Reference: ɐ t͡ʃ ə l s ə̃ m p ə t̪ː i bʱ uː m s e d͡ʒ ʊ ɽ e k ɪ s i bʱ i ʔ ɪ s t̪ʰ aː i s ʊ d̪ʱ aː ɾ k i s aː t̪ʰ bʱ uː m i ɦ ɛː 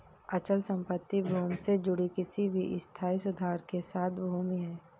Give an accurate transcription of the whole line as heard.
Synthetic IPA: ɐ t͡ʃ ə l s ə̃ m p ə t̪ː i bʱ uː m s e d͡ʒ ʊ ɽ i k ɪ s i bʱ i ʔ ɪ s t̪ʰ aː i s ʊ d̪ʱ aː ɾ k e s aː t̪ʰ bʱ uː m i ɦ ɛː